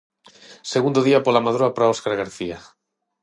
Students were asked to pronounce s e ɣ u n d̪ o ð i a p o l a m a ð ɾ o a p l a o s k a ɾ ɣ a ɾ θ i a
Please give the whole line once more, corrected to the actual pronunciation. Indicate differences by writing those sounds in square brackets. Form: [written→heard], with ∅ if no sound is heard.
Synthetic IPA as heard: s e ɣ u n d̪ o ð i a p o l a m a ð ɾ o a p [l→ɾ] a o s k a ɾ ɣ a ɾ θ i a